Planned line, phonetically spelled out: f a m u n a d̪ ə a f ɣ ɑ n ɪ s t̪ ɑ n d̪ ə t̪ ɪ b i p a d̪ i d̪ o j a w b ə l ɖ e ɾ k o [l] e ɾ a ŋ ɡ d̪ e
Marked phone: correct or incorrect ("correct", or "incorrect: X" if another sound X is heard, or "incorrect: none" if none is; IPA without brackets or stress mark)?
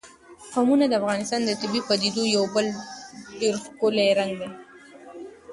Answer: correct